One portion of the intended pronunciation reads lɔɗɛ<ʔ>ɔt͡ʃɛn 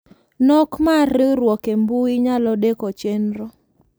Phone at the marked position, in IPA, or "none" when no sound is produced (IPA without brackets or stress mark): k